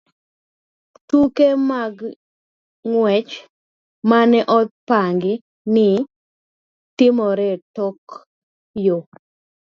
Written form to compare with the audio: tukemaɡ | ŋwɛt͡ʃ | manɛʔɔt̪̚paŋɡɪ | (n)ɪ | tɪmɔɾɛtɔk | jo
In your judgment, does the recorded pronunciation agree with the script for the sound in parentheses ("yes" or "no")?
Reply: yes